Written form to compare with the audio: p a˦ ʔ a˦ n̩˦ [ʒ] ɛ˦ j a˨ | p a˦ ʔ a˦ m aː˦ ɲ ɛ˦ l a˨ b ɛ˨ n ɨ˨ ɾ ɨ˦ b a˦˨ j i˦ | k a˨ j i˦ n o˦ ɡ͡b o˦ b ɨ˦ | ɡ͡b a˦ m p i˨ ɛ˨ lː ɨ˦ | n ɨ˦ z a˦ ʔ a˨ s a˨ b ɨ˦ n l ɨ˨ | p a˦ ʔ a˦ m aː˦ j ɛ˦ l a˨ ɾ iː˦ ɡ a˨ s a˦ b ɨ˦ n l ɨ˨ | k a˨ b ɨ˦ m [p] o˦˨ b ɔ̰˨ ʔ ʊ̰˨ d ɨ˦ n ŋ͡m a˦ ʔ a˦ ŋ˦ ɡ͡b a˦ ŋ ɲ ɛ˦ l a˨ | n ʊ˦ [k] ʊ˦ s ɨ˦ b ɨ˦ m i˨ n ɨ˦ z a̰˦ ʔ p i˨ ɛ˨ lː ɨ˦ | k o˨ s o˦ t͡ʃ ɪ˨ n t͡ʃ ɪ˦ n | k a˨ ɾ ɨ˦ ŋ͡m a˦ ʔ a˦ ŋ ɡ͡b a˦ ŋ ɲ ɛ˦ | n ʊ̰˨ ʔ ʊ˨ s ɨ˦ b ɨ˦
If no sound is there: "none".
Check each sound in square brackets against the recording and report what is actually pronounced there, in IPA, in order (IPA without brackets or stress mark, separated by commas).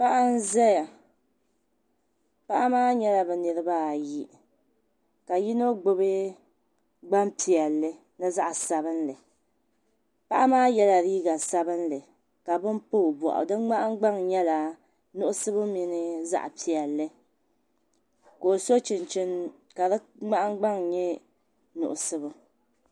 z, p, ʔ